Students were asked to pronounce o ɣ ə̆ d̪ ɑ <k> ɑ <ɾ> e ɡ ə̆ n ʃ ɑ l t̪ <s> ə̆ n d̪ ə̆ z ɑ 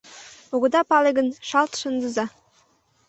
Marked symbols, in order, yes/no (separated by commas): no, no, no